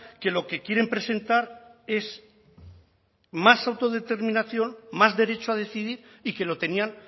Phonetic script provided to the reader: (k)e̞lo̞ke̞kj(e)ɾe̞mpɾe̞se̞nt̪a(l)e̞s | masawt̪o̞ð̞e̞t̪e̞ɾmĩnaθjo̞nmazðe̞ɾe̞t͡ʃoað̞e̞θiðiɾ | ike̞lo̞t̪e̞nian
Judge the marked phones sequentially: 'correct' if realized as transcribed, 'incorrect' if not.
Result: correct, correct, incorrect: ɾ

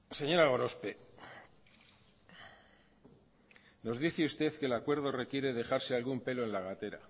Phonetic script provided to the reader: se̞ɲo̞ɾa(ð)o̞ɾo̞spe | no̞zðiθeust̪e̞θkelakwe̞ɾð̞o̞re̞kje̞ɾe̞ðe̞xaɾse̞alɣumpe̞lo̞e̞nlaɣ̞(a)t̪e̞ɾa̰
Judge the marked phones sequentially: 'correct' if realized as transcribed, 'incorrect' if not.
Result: incorrect: ɣ, correct

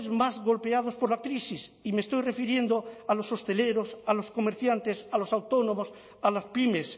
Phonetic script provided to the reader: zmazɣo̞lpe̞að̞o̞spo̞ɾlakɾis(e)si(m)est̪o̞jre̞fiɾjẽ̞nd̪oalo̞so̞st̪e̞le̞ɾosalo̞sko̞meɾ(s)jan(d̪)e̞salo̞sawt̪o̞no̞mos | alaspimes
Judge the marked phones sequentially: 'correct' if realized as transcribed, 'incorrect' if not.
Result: incorrect: i, correct, incorrect: θ, incorrect: t̪

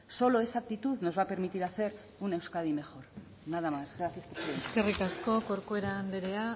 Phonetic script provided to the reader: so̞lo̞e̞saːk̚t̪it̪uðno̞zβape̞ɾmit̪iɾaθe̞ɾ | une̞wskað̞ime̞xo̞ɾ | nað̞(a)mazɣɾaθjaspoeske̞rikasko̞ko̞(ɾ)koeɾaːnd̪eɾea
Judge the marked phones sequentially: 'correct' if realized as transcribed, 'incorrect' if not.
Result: correct, correct

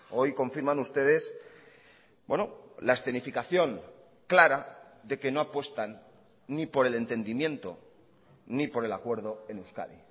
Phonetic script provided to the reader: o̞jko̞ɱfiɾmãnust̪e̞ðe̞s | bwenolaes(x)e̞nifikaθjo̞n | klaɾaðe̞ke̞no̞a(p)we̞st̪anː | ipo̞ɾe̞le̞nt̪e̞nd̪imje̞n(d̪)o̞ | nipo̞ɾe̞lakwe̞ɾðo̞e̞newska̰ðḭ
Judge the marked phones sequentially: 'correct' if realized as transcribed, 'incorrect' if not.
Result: incorrect: θ, correct, incorrect: t̪

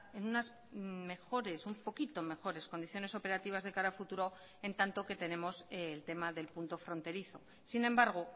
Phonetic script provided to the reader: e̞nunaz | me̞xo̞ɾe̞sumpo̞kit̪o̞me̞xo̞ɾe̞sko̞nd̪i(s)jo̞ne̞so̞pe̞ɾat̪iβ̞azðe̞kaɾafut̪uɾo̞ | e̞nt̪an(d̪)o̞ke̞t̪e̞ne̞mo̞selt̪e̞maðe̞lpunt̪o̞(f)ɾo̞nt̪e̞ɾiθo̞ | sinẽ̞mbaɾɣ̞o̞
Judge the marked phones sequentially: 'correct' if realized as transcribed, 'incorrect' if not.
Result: incorrect: θ, incorrect: t̪, correct

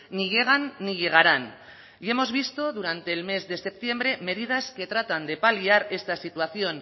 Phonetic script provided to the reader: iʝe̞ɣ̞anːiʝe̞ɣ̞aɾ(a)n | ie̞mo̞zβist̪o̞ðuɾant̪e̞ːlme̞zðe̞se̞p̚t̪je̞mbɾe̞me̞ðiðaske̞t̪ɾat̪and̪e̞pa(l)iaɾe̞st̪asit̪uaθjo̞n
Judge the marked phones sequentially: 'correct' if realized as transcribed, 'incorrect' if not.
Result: correct, correct

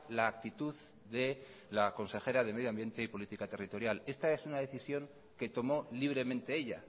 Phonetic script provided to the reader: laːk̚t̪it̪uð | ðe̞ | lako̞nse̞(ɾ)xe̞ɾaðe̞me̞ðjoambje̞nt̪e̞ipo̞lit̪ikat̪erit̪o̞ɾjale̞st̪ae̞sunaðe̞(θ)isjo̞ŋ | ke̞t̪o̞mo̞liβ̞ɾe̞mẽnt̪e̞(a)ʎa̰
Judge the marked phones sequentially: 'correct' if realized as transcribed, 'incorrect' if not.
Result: incorrect: none, correct, incorrect: e

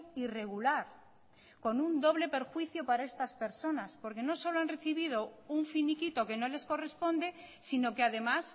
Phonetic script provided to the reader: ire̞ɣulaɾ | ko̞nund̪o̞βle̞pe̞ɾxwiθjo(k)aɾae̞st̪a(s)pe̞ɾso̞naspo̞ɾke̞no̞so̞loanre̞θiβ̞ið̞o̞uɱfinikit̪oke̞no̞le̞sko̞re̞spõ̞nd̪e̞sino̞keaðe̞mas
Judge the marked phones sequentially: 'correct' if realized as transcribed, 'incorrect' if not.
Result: incorrect: p, correct

